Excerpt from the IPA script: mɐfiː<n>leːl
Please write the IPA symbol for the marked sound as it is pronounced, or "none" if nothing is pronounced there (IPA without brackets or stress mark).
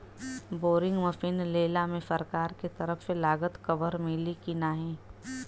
n